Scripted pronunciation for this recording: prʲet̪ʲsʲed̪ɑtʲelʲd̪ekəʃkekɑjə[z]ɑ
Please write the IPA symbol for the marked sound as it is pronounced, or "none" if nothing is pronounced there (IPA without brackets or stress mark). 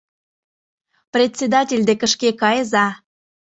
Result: z